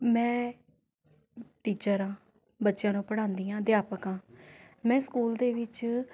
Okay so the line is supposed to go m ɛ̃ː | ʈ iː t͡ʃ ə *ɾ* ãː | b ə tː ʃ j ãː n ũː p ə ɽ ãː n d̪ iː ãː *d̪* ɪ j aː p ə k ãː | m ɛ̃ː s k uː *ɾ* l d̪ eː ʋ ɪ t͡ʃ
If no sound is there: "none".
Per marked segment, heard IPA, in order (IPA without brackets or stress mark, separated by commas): ɾ, d̪, none